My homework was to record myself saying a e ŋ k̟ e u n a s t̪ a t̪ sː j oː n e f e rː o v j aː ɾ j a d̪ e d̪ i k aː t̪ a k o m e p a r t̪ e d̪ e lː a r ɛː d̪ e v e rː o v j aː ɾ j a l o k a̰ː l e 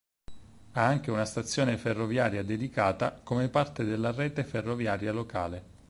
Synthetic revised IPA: a a ŋ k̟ e u n a s t̪ a t̪ sː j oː n e f e rː o v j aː ɾ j a d̪ e d̪ i k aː t̪ a k o m e p a r t̪ e d̪ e lː a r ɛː t̪ e f e rː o v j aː ɾ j a l o k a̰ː l e